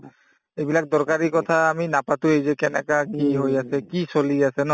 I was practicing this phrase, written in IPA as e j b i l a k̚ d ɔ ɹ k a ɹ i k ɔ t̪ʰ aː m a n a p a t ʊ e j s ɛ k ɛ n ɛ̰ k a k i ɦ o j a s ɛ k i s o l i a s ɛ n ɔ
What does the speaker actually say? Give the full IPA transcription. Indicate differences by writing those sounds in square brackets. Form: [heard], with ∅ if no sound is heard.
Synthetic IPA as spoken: e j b i l a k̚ d ɔ ɹ k a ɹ i k ɔ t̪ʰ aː m [i] n a p a t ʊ e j [z] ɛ k ɛ n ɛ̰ k a k i ɦ o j a s ɛ k i s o l i a s ɛ n ɔ